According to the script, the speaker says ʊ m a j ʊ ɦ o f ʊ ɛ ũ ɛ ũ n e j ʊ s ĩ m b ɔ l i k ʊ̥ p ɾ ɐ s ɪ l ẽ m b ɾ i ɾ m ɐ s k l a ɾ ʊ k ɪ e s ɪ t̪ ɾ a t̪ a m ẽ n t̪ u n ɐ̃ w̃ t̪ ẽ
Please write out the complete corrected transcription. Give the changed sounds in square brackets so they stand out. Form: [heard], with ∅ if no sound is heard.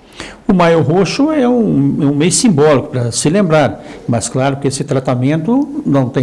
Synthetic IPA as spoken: ʊ m a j ʊ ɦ o [ʃ] ʊ ɛ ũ ɛ ũ [m] e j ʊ s ĩ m b ɔ l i k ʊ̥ p ɾ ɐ s ɪ l ẽ m b ɾ [a] ɾ m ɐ s k l a ɾ ʊ k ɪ e s ɪ t̪ ɾ a t̪ a m ẽ n t̪ [ʊ] n ɐ̃ w̃ t̪ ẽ